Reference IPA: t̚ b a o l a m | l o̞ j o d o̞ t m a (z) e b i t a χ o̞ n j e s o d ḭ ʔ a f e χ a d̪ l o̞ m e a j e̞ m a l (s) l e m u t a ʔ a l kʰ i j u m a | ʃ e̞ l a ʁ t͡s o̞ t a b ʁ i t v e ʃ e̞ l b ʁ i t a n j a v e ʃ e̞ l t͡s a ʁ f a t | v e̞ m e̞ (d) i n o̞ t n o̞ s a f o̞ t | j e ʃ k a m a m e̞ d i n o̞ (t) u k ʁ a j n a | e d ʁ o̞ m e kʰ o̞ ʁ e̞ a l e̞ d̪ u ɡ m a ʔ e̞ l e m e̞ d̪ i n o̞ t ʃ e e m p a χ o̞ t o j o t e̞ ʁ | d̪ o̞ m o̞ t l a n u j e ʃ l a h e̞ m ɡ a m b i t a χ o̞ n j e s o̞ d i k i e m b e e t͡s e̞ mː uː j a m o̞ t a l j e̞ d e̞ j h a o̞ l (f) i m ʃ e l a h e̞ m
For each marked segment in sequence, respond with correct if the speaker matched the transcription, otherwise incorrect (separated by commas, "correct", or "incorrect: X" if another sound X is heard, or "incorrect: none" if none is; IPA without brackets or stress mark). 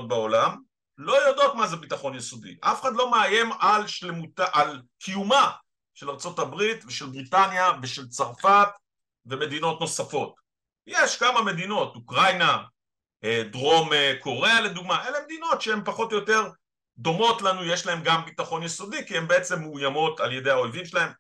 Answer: correct, incorrect: ʃ, correct, correct, incorrect: v